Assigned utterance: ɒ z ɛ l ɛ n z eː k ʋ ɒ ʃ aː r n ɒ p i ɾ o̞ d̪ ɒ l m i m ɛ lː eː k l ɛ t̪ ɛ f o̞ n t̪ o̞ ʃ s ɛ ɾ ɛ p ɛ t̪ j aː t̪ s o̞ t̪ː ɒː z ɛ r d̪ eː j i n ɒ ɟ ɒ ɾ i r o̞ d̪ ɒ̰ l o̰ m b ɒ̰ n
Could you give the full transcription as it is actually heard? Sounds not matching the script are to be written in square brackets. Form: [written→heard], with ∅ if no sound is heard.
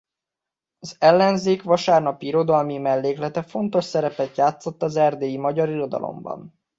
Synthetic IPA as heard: ɒ z ɛ [l→lː] ɛ n z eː k ʋ ɒ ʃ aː r n ɒ p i ɾ o̞ d̪ ɒ l m i m ɛ lː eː k l ɛ t̪ ɛ f o̞ n t̪ o̞ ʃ s ɛ ɾ ɛ p ɛ t̪ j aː t̪ s o̞ t̪ː [ɒː→ɒ] z ɛ r d̪ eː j i [n→m] ɒ ɟ ɒ ɾ i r o̞ d̪ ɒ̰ l o̰ m b ɒ̰ n

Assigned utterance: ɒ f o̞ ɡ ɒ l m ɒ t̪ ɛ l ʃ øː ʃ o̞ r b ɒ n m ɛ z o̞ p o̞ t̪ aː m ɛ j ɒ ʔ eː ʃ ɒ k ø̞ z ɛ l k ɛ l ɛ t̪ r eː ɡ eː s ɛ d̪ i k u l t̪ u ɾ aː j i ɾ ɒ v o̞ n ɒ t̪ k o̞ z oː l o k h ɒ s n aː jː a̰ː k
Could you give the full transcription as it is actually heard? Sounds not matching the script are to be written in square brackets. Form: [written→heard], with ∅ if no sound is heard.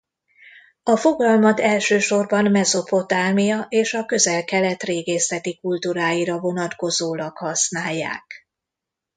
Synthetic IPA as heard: ɒ f o̞ ɡ ɒ l m ɒ t̪ ɛ l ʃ øː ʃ o̞ r b ɒ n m ɛ z o̞ p o̞ t̪ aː m [ɛ→i] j ɒ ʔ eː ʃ ɒ k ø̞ z ɛ l k ɛ l ɛ t̪ r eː ɡ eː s ɛ [d̪→t̪] i k u l t̪ u ɾ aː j i ɾ ɒ v o̞ n ɒ t̪ k o̞ z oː l [o→ɒ] k h ɒ s n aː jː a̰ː k

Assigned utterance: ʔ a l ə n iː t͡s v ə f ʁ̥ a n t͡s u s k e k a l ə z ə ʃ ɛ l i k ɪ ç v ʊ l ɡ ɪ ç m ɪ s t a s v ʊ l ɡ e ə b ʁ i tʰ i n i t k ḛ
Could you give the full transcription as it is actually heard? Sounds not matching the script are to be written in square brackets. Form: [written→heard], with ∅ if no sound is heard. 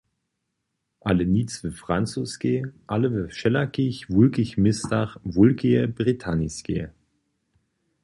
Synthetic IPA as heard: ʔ a l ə n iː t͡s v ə f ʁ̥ a n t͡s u s k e [k→ʔ] a l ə [z→v] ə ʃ ɛ l [i→a] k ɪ ç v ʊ l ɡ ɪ ç m ɪ s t a [s→χ] v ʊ l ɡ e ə b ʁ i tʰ [i→a] n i [t→s] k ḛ

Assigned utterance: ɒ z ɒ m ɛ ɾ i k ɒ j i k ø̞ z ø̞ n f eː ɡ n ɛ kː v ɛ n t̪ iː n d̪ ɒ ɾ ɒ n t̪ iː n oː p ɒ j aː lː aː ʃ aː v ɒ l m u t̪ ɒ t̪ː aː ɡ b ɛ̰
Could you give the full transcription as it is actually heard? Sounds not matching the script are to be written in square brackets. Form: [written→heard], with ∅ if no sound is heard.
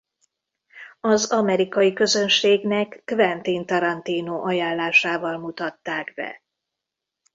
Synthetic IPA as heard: ɒ z ɒ m ɛ ɾ i k ɒ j i k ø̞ z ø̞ n [f→ʃ] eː ɡ n ɛ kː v ɛ n t̪ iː n [d̪→t̪] ɒ ɾ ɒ n t̪ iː n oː [p→ʔ] ɒ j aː lː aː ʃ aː v ɒ l m u t̪ ɒ t̪ː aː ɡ b ɛ̰

